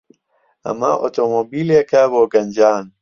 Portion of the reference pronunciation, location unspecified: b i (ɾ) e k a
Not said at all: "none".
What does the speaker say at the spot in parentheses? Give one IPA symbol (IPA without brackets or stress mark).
l